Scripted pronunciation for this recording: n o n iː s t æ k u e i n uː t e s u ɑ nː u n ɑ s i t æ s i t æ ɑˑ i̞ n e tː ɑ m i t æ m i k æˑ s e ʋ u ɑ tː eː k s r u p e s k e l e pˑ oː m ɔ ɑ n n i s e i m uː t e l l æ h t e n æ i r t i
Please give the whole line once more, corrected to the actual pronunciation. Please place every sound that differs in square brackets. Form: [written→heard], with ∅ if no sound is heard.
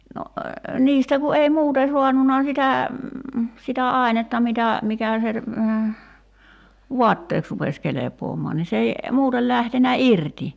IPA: n o n iː s t æ k u e i [n→m] uː t e s u ɑ nː u n ɑ s i t æ s i t æ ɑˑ i̞ n e tː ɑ m i t æ m i k æˑ s e ʋ u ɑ tː eː k s r u p e s k e l e pˑ oː m ɔ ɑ n n i s e i m uː t e l l æ h t e n æ i r t i